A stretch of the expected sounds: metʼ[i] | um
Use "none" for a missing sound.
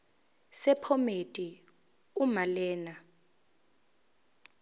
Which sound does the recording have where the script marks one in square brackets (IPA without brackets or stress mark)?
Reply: i